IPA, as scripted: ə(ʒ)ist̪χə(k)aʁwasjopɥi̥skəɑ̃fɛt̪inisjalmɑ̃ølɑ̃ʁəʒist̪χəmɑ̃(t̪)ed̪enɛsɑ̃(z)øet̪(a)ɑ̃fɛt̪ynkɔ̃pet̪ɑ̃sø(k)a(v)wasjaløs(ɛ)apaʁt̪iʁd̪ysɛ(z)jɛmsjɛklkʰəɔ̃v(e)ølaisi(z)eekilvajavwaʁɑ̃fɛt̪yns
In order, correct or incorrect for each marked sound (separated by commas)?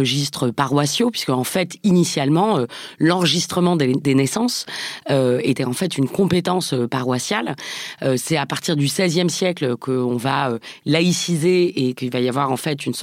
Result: correct, incorrect, incorrect, incorrect, incorrect, incorrect, incorrect, correct, correct, incorrect, correct